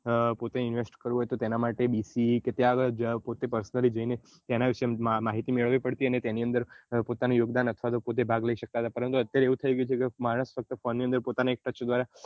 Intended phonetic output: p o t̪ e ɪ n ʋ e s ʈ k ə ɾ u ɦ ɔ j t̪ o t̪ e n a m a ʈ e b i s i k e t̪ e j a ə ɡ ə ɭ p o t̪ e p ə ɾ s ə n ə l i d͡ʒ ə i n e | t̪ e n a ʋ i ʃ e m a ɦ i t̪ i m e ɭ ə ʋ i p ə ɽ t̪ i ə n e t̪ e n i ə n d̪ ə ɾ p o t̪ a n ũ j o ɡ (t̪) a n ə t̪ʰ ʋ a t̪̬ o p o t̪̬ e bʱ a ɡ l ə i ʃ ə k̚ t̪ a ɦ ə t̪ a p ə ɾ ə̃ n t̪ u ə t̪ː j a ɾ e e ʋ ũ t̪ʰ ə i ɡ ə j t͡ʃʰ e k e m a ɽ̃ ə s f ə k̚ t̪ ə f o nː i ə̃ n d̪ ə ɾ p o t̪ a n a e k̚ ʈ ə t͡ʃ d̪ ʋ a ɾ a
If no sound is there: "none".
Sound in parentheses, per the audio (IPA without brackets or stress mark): d̪